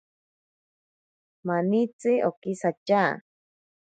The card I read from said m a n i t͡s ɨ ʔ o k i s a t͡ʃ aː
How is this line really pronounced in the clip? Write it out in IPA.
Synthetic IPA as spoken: m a n i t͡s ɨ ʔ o k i s a t͡ʃ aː